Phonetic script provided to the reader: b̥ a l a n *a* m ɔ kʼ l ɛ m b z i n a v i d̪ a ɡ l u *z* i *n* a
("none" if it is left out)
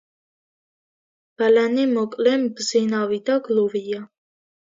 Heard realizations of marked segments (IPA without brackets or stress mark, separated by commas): i, v, none